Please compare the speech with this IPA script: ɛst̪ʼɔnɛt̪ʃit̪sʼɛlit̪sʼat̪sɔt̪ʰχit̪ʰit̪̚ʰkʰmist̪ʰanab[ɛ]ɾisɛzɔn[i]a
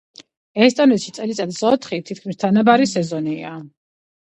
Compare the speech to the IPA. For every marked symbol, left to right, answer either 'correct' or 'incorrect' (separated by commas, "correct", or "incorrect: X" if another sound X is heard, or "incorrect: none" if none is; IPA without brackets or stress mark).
incorrect: a, correct